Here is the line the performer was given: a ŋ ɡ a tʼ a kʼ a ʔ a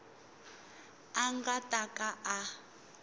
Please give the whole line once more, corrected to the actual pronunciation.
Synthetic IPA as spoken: a ŋ ɡ a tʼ a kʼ a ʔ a